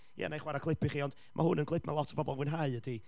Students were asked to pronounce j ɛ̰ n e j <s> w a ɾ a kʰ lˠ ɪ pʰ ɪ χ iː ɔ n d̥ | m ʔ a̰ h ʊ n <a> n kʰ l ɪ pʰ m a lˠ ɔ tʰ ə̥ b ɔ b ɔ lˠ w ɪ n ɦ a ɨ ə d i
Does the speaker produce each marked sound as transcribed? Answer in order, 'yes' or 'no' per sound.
no, no

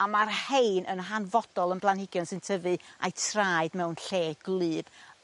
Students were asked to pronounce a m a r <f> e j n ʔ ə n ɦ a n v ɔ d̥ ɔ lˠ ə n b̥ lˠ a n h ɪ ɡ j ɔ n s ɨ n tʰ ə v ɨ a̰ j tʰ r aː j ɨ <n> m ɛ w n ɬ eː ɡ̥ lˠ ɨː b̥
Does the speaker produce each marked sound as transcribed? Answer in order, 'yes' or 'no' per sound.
no, no

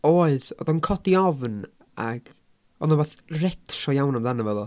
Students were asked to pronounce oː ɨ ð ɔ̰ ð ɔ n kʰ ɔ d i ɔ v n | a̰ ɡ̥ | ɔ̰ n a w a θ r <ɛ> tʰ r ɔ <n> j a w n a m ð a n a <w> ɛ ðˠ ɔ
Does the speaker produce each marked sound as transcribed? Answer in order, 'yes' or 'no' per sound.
yes, no, no

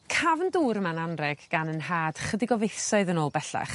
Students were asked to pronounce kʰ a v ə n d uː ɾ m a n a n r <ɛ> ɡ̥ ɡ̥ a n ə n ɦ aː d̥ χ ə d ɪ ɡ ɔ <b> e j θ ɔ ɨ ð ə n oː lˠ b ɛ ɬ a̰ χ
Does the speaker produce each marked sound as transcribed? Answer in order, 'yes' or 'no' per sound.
yes, no

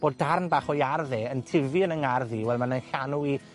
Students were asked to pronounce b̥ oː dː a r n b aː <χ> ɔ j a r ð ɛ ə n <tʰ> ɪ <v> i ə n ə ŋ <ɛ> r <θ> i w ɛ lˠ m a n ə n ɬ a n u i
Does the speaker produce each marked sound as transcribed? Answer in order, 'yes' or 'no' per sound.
yes, yes, yes, no, no

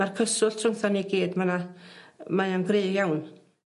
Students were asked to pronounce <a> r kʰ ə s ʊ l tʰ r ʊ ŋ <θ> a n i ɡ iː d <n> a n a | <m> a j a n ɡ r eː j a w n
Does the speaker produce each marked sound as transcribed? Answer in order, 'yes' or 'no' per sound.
yes, yes, no, yes

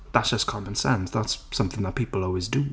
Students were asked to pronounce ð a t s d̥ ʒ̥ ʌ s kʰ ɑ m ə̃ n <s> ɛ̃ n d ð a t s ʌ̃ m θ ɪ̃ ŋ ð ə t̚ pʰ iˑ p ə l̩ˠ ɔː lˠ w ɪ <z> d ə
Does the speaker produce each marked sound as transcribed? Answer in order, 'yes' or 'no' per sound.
yes, yes

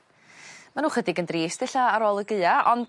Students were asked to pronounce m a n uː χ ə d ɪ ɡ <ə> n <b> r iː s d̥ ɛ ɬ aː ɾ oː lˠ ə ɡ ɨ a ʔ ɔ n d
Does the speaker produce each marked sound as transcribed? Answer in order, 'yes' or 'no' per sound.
yes, no

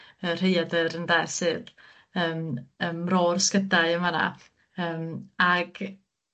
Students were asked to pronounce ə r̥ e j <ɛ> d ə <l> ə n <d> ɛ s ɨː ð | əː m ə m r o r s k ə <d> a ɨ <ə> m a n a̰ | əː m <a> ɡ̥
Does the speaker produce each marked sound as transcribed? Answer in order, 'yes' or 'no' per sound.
no, no, yes, yes, yes, yes

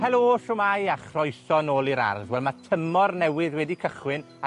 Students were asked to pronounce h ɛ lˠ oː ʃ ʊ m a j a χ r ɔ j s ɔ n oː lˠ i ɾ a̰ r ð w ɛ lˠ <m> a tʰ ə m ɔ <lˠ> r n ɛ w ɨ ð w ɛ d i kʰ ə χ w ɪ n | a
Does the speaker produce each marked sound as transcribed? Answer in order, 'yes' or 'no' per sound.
yes, no

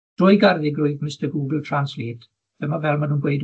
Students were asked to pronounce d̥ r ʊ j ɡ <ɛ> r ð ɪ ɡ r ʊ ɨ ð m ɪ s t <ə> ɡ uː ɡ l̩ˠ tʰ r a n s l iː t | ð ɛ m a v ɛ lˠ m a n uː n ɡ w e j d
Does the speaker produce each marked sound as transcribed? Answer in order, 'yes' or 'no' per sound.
no, yes

